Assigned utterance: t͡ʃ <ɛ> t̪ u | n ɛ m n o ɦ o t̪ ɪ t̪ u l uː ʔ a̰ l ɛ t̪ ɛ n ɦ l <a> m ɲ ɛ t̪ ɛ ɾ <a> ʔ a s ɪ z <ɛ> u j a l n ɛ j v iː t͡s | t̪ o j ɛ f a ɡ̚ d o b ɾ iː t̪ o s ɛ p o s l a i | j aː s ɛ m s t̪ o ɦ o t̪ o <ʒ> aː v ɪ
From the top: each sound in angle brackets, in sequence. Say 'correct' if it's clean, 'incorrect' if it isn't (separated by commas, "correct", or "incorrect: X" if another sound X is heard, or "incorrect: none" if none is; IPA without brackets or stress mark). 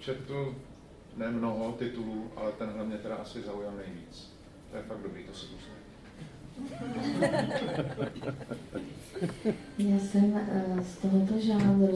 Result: correct, incorrect: ɛ, correct, incorrect: a, correct